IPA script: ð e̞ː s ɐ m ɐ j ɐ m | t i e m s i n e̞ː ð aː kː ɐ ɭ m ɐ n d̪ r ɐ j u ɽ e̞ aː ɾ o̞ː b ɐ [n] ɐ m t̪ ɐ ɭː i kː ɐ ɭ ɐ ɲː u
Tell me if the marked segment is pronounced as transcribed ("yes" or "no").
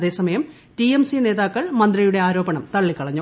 no